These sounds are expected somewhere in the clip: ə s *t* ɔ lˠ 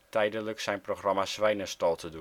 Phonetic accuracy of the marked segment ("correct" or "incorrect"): correct